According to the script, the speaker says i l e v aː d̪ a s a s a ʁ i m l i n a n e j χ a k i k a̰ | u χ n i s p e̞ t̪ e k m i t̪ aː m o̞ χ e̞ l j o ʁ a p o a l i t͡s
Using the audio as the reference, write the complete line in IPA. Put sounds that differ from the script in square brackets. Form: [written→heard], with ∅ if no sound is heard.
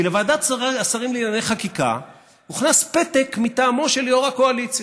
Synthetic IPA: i l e v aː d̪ a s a s a ʁ i m l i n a n e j χ a k i k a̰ | u χ n [i→a] s p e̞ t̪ e k m i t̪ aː m o̞ [χ→ʃ] e̞ l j o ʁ a [p→k] o a l i t͡s

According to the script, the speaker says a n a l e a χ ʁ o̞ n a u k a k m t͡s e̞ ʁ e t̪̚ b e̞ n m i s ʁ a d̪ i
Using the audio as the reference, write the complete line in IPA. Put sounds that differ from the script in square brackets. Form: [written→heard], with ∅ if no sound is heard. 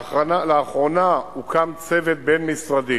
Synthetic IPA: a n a l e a χ ʁ o̞ n a u k a [k→∅] m t͡s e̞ [ʁ→v] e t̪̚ b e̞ n m i s ʁ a d̪ i

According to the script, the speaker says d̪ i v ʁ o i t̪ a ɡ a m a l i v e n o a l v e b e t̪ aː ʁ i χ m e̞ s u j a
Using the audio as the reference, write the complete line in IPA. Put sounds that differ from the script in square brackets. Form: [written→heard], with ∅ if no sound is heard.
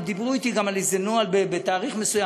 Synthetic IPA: d̪ i [v→b] ʁ [o→u] i t̪ [a→i] ɡ a m a l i [v→z] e n o a l [v→b] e b e t̪ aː ʁ i χ m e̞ s u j a

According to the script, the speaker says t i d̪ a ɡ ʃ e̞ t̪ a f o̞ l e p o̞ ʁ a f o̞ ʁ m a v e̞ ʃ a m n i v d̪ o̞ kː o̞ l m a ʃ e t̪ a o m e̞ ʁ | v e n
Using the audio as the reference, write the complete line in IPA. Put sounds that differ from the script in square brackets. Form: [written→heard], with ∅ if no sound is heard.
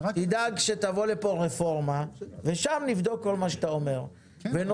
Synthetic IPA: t i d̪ a ɡ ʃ e̞ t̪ a [f→v] o̞ l e p o̞ ʁ [a→e] f o̞ ʁ m a v e̞ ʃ a m n i v d̪ o̞ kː o̞ l m a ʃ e t̪ a o m e̞ ʁ | v e n

